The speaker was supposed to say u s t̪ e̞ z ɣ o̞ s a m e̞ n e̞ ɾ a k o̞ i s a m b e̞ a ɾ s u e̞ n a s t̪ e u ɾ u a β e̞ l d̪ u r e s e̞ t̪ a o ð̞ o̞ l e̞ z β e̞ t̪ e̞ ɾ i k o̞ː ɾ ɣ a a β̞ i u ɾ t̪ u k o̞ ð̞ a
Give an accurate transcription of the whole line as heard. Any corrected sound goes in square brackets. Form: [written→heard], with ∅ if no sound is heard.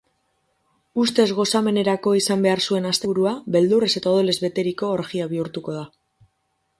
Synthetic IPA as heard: u s t̪ e̞ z ɣ o̞ s a m e̞ n e̞ ɾ a k o̞ i s a m b e̞ a ɾ s u e̞ n a s t̪ e u ɾ u a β e̞ l d̪ u r e s e̞ t̪ a o ð̞ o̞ l e̞ z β e̞ t̪ e̞ ɾ i k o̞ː ɾ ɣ [a→i] a β̞ i u ɾ t̪ u k o̞ ð̞ a